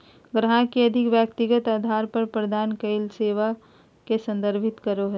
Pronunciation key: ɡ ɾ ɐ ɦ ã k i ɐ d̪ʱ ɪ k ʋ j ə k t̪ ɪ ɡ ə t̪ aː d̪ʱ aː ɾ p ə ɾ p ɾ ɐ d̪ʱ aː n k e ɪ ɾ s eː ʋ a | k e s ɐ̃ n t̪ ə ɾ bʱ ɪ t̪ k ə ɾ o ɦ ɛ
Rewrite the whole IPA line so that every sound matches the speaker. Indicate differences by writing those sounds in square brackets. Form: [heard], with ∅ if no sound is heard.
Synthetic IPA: ɡ ɾ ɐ ɦ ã k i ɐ d̪ʱ ɪ k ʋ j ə k t̪ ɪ ɡ ə t̪ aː d̪ʱ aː ɾ p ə ɾ p ɾ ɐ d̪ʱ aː n k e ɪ [l] s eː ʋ a | k e s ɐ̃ n [d̪] ə ɾ bʱ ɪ t̪ k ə ɾ o ɦ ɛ